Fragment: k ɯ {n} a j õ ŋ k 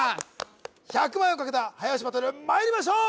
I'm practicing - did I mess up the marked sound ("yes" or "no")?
yes